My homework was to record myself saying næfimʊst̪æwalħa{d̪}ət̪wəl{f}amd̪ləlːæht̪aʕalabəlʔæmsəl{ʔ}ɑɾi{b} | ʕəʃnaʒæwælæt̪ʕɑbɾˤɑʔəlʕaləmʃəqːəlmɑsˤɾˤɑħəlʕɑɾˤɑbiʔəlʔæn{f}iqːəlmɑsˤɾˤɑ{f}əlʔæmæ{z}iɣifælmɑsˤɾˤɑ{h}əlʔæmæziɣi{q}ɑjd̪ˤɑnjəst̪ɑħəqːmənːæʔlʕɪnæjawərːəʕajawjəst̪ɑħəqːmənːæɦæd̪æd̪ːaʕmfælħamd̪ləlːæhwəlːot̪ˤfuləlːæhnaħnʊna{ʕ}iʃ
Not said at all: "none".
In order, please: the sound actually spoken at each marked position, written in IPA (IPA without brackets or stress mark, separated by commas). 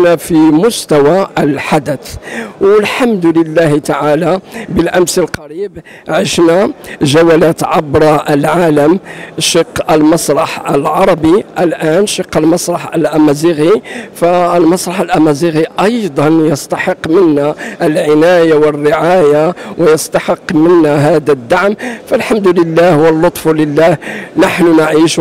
d̪, ħ, q, b, ʃ, ħ, z, ħ, ʔ, ʕ